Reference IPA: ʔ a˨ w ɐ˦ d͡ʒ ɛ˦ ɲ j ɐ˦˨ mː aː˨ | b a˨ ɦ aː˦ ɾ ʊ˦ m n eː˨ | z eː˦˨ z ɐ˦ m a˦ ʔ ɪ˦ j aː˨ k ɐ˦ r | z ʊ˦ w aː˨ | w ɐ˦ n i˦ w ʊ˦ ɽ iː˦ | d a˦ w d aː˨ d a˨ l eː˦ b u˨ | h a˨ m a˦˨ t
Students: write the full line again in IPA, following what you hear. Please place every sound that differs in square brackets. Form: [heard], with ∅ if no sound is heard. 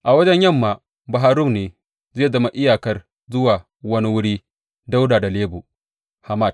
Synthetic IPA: ʔ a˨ w ɐ˦ d͡ʒ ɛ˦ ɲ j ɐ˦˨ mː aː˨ | b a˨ ɦ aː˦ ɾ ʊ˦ m n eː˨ | z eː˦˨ z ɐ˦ m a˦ ʔ ɪ˦ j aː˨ k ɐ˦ r | z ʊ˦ w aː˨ | w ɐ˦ n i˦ w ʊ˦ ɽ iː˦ | d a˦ w d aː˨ d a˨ l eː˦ b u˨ | h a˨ m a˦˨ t